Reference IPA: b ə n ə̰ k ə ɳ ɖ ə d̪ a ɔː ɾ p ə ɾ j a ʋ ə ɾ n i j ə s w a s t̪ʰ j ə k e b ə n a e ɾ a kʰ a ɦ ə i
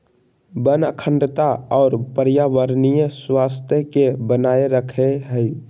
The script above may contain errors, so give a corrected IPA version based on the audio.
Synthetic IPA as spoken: b ə n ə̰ kʰ ə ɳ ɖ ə t̪ a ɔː ɾ p ə ɾ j a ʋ ə ɾ n i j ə s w a s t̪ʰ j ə k e b ə n a e ɾ ə kʰ e ɦ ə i

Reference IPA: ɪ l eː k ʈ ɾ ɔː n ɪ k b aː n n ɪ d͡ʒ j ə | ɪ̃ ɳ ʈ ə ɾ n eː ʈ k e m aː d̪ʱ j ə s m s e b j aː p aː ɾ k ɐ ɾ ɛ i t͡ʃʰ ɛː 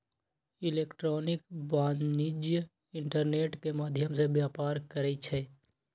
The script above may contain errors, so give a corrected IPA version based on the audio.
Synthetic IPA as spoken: ɪ l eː k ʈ ɾ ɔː n ɪ k b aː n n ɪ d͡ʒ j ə | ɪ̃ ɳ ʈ ə ɾ n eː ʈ k e m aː d̪ʱ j ə m s e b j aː p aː ɾ k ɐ ɾ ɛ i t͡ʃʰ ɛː

